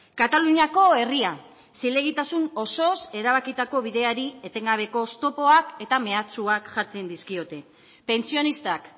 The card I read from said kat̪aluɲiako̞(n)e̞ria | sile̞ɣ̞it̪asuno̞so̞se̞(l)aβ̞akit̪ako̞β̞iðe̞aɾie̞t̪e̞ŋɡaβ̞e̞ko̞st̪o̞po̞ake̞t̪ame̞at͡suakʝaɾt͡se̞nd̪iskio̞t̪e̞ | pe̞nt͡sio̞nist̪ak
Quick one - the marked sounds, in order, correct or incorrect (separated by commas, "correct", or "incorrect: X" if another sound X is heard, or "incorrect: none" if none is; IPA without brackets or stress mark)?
incorrect: none, incorrect: ɾ